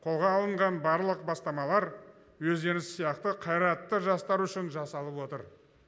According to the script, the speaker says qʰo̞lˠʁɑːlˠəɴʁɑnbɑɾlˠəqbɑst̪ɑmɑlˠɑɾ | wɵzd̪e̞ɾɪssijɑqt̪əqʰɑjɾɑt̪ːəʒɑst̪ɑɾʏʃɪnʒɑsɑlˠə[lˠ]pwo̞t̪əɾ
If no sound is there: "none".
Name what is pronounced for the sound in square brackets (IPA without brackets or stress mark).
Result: none